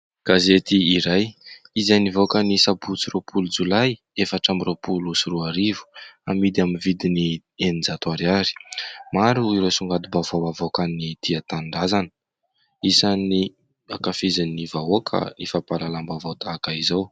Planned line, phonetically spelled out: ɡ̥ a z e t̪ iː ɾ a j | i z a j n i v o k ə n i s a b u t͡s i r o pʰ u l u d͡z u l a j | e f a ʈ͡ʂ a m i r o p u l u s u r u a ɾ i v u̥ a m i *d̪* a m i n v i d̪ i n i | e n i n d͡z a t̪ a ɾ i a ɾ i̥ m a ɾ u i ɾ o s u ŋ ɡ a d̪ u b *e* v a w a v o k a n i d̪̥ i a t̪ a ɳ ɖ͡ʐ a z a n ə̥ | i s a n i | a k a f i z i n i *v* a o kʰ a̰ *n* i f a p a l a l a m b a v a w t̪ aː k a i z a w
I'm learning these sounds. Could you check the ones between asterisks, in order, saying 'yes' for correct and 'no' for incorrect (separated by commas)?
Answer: yes, no, yes, yes